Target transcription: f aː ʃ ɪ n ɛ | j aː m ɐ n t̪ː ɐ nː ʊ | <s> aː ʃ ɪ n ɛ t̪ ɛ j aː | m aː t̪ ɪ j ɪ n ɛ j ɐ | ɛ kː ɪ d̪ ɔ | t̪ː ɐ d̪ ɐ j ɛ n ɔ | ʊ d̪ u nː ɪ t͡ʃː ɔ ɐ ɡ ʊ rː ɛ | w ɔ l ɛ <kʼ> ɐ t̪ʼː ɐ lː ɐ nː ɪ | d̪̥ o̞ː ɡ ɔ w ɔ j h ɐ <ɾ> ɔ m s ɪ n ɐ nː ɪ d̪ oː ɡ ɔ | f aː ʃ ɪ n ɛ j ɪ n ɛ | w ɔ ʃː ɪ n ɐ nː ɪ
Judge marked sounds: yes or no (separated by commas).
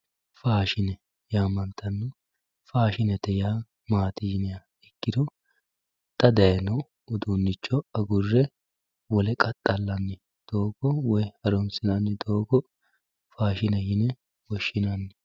no, yes, yes